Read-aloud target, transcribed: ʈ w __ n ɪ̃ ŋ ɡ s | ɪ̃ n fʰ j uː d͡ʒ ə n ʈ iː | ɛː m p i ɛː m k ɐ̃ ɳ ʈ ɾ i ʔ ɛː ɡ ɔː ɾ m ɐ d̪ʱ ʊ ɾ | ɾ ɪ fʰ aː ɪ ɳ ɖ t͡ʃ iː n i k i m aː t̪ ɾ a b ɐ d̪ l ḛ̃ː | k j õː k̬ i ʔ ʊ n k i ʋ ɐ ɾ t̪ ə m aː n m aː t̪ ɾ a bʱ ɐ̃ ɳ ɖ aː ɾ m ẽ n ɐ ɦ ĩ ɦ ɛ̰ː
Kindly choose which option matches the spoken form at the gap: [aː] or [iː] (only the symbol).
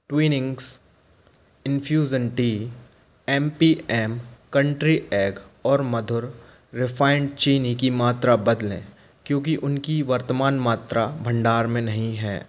iː